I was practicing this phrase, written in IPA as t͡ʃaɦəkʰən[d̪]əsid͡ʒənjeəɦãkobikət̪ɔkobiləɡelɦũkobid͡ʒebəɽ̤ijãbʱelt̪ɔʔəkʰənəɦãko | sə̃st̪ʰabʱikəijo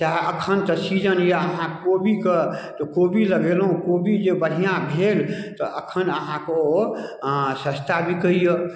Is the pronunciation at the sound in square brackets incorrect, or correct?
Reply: incorrect